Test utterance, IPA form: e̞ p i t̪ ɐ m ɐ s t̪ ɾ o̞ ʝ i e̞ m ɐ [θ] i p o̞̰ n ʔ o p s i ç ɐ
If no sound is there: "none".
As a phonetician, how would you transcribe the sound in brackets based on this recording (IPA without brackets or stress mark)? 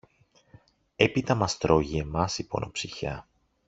s